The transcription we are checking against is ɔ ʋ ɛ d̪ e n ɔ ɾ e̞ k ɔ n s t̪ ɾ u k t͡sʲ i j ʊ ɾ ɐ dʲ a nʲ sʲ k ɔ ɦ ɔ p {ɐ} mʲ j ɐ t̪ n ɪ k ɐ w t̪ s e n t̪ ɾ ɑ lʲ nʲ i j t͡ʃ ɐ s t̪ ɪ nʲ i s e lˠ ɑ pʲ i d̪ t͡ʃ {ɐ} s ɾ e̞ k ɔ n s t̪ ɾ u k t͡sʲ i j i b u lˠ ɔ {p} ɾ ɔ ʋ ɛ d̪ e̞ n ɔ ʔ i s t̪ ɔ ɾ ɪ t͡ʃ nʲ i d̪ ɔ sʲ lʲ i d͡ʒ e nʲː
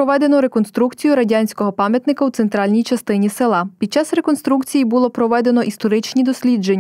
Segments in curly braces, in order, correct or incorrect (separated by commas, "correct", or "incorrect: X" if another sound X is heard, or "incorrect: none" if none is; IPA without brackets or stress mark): incorrect: ɑ, incorrect: ɑ, correct